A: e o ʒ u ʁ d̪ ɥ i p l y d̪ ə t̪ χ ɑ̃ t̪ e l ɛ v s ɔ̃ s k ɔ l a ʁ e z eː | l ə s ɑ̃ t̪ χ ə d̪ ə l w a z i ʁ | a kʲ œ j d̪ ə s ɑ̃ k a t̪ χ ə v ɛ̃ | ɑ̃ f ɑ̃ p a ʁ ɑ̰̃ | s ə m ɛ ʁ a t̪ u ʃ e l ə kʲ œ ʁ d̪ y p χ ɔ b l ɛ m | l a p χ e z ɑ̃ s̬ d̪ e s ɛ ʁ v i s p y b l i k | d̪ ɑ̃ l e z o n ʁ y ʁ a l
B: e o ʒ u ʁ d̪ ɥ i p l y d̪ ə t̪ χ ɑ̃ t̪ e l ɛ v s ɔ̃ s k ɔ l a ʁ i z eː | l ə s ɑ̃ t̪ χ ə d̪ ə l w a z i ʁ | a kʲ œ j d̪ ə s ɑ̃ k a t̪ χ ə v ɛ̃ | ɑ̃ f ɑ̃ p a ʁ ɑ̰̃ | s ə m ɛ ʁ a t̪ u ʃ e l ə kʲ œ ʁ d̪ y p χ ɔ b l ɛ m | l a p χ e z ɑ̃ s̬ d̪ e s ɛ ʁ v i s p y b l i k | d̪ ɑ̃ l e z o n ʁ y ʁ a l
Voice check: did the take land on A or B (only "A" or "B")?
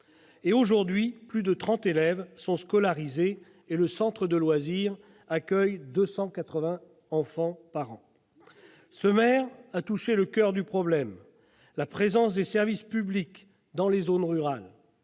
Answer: B